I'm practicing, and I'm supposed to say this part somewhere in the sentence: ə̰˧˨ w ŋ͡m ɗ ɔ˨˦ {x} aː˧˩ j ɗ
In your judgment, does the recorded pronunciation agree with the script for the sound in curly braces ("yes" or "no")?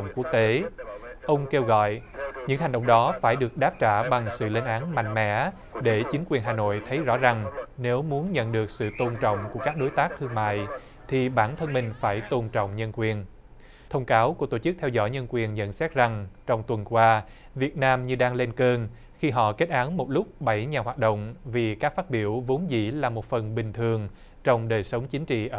no